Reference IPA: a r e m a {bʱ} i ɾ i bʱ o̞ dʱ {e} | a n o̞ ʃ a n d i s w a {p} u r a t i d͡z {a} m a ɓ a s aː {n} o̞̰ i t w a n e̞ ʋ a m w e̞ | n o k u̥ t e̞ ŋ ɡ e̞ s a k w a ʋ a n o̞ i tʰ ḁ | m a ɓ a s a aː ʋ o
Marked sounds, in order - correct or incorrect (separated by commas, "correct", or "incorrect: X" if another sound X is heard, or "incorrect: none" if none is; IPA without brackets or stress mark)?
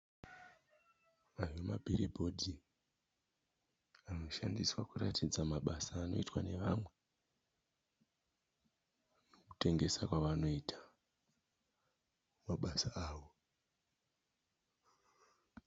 correct, incorrect: i, incorrect: k, correct, correct